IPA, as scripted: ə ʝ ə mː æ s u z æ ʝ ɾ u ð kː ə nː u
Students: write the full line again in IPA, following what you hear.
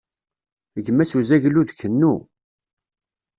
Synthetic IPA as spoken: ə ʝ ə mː æ s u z æ ʝ l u ð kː ə nː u